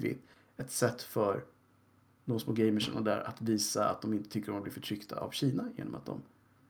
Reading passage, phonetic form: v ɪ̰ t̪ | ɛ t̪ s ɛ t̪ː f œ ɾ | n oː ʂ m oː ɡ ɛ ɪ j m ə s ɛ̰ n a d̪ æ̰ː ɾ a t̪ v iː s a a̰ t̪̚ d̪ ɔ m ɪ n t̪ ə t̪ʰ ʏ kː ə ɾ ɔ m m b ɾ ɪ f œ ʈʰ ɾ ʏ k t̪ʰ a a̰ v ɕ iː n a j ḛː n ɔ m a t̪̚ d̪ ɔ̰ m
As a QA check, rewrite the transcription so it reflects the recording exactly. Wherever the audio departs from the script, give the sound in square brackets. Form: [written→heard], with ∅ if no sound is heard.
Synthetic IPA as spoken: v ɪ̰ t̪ | ɛ t̪ s ɛ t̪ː f œ ɾ | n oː [ʂ→s] m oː ɡ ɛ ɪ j m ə [s→ʂ] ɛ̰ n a d̪ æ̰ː ɾ a t̪ v iː s a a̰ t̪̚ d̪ ɔ m ɪ n t̪ ə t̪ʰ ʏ kː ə ɾ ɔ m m b [ɾ→l] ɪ f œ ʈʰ ɾ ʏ k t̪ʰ a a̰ v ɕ iː n a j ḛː n ɔ m a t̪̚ d̪ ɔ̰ m